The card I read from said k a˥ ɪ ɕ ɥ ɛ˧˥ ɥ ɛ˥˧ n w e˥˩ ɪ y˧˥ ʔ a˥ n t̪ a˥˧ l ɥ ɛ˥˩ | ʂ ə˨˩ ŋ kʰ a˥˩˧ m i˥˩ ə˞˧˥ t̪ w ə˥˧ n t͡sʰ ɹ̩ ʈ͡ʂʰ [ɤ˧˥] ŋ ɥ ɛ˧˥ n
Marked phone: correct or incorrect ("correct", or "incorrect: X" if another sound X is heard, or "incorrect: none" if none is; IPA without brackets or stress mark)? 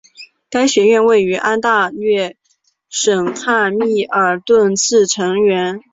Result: correct